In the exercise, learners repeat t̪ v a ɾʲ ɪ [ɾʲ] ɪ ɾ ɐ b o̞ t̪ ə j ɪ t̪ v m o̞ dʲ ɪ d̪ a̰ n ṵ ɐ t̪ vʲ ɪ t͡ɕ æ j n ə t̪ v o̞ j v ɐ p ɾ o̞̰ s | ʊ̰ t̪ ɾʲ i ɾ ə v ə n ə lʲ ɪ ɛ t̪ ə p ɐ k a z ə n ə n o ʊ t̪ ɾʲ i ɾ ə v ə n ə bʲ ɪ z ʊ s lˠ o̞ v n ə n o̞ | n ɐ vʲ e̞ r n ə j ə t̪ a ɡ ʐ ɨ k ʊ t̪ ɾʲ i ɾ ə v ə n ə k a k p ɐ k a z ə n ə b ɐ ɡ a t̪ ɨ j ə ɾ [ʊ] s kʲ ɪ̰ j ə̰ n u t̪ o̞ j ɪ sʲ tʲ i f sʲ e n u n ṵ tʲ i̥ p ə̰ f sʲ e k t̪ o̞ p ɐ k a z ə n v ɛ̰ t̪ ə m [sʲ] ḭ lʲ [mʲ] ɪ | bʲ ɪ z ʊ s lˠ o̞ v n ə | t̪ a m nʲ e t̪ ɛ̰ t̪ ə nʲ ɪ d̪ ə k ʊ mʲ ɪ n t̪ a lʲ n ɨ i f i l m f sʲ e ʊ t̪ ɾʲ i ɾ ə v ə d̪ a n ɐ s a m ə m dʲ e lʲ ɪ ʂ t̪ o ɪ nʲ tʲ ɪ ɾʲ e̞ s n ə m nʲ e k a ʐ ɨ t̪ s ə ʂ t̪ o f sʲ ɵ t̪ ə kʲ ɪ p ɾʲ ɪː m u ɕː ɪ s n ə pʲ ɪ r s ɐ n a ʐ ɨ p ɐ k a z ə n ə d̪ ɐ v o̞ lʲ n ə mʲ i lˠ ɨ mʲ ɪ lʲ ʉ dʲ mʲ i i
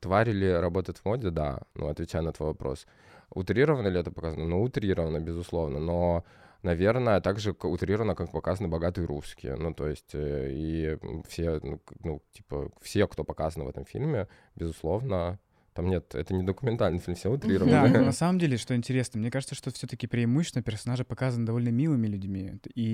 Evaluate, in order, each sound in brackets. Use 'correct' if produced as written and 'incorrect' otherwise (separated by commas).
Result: incorrect, incorrect, incorrect, correct